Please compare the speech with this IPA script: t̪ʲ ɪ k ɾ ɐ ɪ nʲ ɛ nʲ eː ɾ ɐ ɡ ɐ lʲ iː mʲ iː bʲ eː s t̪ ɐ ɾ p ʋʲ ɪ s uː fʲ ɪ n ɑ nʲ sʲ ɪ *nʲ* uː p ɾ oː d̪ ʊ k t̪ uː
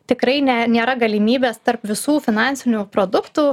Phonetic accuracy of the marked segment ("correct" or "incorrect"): correct